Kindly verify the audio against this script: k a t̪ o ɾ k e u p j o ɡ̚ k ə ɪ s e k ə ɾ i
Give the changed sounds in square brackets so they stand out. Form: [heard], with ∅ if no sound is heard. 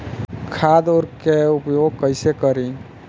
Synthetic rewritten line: [kʰ] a [d̪] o ɾ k e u p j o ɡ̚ k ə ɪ s e k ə ɾ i